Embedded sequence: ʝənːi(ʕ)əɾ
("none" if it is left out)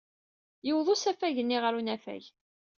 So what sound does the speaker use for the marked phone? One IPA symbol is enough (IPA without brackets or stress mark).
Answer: ʁ